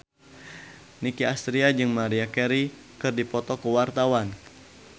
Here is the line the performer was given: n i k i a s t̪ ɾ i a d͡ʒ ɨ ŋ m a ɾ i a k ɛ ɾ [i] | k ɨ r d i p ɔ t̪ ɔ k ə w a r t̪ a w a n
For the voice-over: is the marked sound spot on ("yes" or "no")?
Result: yes